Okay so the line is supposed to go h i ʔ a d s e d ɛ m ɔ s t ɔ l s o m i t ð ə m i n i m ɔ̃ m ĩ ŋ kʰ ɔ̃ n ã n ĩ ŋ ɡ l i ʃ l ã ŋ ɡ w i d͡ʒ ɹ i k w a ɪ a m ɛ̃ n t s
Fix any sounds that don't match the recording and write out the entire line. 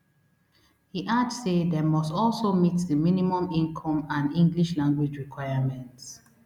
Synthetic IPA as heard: h i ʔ a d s e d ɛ m ɔ s t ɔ l s o m i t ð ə m i n i m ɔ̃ m ĩ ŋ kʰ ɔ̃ m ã n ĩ ŋ ɡ l i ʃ l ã ŋ ɡ w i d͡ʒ ɹ i k w a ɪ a m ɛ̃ n t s